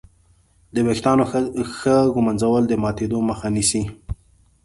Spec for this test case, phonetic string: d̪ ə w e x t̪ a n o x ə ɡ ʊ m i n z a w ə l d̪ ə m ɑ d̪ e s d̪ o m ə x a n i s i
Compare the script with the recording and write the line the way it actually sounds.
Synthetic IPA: d̪ ə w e x t̪ ɑ n o x ə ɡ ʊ m a n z a w ə l d̪ ə m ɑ t̪ e d̪ o m ə x a n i s i